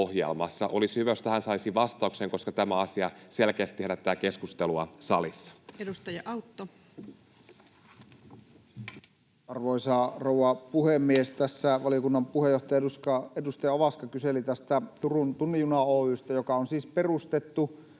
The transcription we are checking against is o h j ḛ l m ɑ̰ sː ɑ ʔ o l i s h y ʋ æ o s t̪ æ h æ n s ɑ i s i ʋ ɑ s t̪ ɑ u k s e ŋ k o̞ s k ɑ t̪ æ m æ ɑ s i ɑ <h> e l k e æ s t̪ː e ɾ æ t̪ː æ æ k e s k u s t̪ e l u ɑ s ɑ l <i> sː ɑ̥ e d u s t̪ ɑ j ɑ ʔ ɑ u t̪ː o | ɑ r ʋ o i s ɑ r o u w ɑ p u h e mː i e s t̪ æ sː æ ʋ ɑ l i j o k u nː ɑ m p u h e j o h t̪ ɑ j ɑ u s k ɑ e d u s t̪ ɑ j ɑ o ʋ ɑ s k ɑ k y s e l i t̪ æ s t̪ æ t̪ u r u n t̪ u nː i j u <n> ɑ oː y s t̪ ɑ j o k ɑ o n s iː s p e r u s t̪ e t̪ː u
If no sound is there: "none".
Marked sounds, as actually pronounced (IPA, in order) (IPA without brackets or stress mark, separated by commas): s, i, n